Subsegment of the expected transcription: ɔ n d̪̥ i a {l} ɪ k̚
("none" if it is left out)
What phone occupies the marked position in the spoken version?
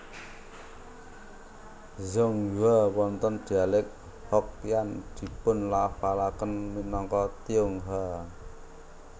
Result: l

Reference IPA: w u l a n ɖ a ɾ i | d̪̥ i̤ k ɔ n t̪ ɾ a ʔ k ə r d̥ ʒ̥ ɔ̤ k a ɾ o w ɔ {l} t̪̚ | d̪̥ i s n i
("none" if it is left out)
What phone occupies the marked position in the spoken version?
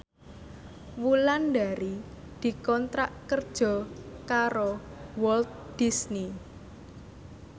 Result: l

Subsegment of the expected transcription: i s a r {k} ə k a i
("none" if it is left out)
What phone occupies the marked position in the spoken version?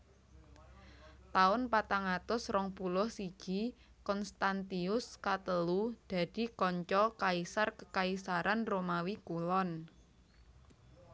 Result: k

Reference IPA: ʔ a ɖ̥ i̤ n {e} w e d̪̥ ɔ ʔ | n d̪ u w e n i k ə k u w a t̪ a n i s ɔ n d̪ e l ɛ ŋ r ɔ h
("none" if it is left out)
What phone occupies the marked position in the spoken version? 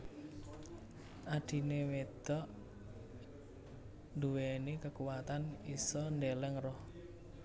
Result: e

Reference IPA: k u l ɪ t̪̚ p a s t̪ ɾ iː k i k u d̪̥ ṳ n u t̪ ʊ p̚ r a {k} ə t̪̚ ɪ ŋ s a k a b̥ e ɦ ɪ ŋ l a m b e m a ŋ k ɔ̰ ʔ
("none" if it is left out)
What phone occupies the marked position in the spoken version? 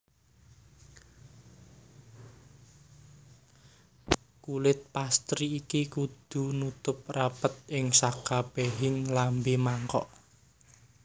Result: p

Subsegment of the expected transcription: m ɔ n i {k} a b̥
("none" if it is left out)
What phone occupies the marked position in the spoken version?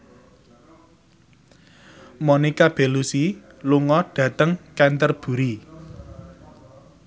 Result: k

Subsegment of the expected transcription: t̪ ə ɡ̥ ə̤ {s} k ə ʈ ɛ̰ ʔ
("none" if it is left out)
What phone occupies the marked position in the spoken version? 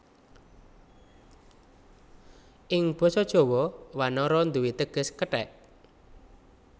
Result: s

